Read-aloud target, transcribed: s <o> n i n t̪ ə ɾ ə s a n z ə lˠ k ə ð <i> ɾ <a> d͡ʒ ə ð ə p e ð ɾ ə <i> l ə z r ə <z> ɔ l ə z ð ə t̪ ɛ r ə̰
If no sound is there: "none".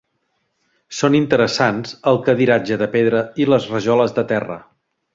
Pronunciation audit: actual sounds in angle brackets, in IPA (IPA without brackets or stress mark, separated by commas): o, i, a, i, ʒ